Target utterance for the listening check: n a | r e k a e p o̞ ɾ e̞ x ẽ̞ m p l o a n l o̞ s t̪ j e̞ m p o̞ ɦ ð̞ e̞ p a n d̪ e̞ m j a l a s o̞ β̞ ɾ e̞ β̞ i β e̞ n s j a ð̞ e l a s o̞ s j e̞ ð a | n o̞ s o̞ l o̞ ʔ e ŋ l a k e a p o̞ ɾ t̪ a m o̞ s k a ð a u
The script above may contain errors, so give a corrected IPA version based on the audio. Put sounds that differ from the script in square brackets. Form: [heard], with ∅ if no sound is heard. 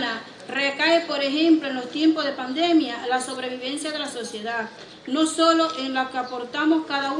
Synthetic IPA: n a | r e k a e p o̞ ɾ e̞ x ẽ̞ m p l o [e] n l o̞ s t̪ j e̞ m p o̞ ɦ ð̞ e̞ p a n d̪ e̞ m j a l a s o̞ β̞ ɾ e̞ β̞ i β e̞ n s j a ð̞ e l a s o̞ s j e̞ ð a | n o̞ s o̞ l o̞ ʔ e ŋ l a k e a p o̞ ɾ t̪ a m o̞ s k a ð a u